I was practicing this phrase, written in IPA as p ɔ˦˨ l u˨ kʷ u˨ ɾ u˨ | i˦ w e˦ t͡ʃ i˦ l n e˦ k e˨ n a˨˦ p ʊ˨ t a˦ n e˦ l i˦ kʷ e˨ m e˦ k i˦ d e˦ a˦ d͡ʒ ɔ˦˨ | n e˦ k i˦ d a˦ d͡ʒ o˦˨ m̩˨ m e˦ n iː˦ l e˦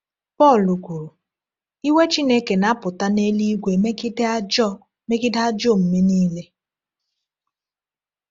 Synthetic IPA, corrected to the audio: p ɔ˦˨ l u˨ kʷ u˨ ɾ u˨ | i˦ w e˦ t͡ʃ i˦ n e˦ k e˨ n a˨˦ p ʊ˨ t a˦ n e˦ l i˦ ɡʷ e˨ m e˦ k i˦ d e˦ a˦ d͡ʒ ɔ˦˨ | m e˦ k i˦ d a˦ d͡ʒ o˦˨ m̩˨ m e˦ n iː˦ l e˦